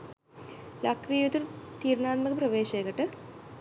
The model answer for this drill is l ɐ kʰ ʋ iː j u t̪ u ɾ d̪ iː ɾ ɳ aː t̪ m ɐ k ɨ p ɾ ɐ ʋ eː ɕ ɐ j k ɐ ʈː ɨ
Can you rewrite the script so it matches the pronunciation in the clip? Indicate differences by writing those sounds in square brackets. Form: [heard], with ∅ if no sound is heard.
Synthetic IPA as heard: l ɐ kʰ ʋ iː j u t̪ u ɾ [t̪] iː ɾ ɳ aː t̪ m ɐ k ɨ p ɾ ɐ ʋ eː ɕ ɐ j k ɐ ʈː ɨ